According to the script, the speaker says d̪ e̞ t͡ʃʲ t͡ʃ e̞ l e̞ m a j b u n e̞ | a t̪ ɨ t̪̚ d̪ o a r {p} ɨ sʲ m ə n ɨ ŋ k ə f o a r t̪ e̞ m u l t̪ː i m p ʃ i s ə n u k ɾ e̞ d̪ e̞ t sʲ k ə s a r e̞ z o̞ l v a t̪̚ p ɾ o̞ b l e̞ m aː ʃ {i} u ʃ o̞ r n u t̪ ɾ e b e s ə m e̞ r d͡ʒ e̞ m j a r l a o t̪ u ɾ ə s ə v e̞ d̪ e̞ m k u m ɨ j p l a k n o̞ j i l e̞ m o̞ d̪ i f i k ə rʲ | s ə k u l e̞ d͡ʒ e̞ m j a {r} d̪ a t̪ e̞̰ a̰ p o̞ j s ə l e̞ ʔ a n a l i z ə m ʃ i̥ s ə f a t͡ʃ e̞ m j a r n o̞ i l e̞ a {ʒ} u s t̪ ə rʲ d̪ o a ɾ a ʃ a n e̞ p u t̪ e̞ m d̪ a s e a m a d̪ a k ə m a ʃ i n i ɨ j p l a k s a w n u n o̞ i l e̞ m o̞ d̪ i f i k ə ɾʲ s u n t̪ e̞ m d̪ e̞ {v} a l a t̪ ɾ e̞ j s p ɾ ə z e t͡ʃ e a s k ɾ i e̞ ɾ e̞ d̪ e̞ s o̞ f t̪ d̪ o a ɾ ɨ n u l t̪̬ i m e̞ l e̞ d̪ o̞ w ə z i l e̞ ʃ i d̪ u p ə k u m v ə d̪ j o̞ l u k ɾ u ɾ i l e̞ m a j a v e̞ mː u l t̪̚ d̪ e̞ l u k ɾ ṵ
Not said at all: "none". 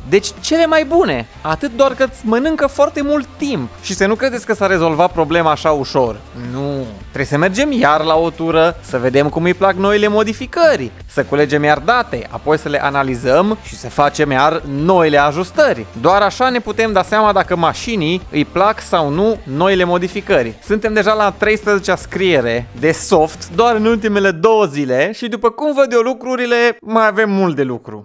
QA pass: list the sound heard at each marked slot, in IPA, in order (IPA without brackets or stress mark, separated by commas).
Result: k, a, r, ʒ, ʒ